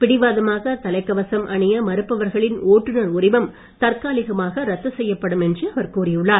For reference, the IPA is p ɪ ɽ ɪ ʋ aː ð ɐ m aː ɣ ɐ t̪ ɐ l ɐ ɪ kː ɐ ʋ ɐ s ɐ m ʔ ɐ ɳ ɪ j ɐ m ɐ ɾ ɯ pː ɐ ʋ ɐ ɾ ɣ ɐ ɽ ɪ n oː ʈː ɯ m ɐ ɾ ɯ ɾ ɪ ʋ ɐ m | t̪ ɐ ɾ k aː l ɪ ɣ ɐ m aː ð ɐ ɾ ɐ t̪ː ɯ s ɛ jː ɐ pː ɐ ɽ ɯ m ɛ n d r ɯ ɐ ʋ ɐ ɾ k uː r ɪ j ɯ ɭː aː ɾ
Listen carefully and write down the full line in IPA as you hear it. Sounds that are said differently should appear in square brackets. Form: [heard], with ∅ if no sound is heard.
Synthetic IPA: p ɪ ɽ ɪ ʋ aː ð ɐ m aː ɣ ɐ t̪ ɐ l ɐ ɪ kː ɐ ʋ ɐ s ɐ m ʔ ɐ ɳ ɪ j ɐ m ɐ ɾ ɯ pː ɐ ʋ ɐ ɾ ɣ ɐ [ɭ] ɪ n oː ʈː ɯ [n] ɐ ɾ [ʊ] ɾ ɪ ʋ ɐ m | t̪ ɐ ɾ k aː l ɪ ɣ ɐ m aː [ɣ] ɐ ɾ ɐ t̪ː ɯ s ɛ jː ɐ pː ɐ ɽ ɯ m ɛ n d r ɯ ɐ ʋ ɐ ɾ k uː r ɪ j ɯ ɭː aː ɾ